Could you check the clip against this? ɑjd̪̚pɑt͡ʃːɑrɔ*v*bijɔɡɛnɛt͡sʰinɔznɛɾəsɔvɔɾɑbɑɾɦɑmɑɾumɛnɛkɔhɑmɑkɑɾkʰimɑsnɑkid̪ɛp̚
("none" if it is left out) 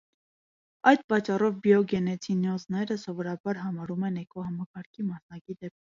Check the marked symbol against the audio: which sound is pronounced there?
v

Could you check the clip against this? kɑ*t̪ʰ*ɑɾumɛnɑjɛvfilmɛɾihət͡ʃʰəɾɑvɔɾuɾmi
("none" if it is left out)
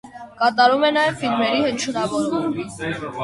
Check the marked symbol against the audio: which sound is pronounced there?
t̪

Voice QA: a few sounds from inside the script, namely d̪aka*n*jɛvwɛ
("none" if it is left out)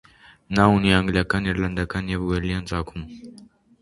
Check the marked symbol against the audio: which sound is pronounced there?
n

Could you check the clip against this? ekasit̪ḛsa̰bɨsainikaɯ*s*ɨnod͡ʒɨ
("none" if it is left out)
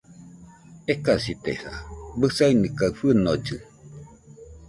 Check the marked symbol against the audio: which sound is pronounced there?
f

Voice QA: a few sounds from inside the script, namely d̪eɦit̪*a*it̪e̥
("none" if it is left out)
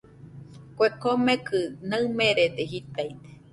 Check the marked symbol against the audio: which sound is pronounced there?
a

